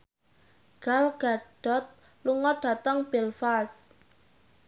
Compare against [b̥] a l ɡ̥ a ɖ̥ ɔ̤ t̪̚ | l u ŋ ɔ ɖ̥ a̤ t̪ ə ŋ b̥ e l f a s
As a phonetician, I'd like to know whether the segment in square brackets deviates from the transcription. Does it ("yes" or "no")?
yes